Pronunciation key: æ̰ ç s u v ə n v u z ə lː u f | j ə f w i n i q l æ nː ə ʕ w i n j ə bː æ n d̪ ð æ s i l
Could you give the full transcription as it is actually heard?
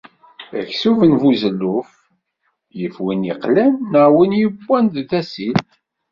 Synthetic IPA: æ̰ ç s u v ə n v u z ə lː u f | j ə f w i n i q l æ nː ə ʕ w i n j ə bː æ n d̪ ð æ s i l